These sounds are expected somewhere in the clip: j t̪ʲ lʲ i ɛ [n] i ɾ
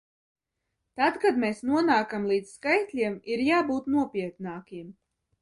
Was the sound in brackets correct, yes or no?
no